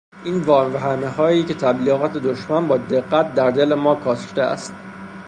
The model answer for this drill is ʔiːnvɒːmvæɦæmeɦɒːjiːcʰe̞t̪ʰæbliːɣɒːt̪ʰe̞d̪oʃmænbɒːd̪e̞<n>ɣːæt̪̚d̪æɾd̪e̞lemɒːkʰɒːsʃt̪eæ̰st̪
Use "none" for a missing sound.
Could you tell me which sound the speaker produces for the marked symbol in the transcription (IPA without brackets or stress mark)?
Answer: none